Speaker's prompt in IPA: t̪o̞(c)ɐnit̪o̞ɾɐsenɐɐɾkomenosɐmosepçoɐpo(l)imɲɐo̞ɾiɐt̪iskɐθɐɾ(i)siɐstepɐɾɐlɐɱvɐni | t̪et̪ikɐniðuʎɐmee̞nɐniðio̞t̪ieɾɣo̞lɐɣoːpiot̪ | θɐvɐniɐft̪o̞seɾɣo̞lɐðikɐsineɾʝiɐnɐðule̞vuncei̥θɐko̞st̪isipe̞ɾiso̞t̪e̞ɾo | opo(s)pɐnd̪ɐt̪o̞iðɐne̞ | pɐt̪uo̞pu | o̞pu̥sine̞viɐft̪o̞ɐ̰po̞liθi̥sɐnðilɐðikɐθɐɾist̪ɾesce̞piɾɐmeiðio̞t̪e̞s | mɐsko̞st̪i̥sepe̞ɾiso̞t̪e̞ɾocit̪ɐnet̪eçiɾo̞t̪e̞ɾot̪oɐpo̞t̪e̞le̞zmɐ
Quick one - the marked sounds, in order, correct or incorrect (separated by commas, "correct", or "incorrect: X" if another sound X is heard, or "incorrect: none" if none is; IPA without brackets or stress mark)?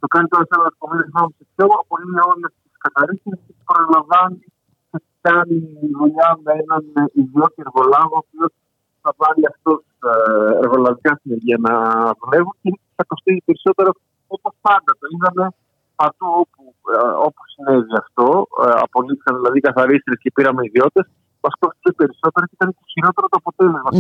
incorrect: k, correct, correct, correct